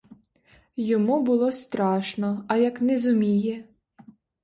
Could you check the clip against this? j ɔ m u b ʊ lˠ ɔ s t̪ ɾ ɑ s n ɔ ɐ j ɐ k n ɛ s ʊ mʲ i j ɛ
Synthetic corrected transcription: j ɔ m u b ʊ lˠ ɔ s t̪ ɾ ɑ ʃ n ɔ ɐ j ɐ k n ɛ z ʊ mʲ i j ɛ